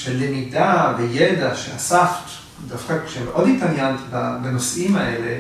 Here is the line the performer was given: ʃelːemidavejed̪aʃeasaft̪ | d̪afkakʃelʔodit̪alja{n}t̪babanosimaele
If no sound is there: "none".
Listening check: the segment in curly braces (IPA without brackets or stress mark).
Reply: n